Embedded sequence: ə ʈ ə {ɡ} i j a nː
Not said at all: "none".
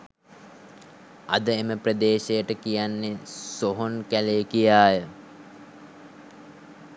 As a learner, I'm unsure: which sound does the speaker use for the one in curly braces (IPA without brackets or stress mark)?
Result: k